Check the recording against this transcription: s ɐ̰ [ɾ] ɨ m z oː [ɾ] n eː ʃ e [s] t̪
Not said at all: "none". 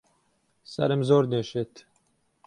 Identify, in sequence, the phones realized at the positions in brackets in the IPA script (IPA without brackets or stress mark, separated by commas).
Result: ɾ, ɾ, none